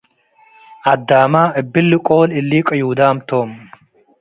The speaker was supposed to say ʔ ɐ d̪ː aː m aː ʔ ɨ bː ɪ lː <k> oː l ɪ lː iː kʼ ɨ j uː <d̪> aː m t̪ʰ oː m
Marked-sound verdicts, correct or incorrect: incorrect: kʼ, correct

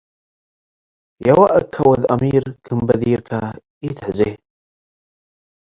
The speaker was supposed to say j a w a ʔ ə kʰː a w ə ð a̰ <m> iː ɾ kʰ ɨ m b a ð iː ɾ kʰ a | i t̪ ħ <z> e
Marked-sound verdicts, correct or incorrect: correct, correct

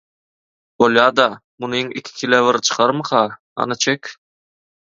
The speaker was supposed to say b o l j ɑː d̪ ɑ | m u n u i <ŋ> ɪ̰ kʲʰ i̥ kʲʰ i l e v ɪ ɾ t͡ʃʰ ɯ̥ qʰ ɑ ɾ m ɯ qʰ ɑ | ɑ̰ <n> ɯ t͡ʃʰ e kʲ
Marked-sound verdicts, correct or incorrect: correct, correct

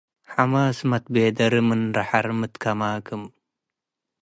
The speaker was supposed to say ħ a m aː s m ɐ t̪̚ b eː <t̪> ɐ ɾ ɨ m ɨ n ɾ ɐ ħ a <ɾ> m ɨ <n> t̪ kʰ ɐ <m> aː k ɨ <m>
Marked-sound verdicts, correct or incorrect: incorrect: d̪, correct, incorrect: none, correct, correct

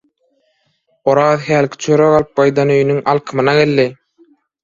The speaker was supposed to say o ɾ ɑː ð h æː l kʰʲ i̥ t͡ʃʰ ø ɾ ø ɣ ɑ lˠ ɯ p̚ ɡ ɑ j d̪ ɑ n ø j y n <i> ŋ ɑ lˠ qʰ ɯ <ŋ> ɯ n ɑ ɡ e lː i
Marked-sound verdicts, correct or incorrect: incorrect: y, incorrect: m

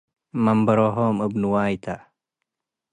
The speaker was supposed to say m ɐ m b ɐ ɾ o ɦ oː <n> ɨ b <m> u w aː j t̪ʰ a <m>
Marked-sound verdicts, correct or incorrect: incorrect: m, incorrect: n, incorrect: none

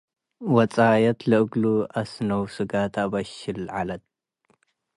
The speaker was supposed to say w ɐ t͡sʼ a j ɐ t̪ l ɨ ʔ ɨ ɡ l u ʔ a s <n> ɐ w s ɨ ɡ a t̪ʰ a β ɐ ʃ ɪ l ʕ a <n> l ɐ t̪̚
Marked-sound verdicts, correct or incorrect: correct, incorrect: none

